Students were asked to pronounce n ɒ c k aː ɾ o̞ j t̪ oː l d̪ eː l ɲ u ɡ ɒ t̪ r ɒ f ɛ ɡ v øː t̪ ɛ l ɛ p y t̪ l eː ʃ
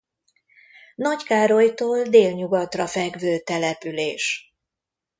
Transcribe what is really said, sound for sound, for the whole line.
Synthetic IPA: n ɒ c k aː ɾ o̞ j t̪ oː l d̪ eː l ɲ u ɡ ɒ t̪ r ɒ f ɛ ɡ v øː t̪ ɛ l ɛ p y l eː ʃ